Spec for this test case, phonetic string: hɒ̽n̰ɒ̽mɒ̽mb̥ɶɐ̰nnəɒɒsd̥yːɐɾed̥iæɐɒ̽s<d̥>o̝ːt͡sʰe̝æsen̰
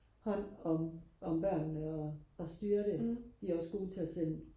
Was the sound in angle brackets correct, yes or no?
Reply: no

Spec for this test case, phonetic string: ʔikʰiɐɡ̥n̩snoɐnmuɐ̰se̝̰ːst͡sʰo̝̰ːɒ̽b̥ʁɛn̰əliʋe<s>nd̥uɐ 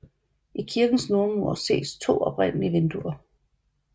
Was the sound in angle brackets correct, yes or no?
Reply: no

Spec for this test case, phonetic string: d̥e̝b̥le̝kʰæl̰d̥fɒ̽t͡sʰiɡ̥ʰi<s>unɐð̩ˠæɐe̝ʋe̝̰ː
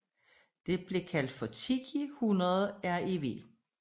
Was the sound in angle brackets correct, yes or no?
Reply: no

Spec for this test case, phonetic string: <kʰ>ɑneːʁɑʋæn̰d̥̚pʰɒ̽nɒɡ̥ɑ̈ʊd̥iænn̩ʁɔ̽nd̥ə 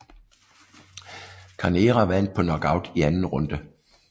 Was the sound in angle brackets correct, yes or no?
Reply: yes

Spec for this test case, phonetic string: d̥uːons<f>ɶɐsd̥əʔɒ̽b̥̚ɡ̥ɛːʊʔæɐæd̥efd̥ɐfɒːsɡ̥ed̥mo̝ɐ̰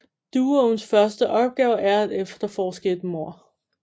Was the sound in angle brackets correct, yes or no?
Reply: yes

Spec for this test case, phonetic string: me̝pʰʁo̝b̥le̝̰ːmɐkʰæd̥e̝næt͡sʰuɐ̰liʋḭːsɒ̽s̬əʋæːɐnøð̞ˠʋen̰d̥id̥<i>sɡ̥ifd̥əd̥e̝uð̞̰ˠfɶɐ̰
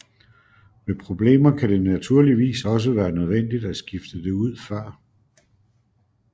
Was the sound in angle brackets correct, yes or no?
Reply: no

